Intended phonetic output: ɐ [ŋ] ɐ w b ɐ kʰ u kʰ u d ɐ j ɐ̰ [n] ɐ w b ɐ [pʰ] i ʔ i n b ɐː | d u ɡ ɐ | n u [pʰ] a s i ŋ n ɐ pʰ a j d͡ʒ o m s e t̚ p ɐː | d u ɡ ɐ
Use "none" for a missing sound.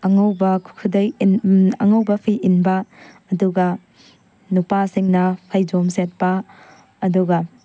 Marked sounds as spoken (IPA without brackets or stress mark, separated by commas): ŋ, ŋ, pʰ, p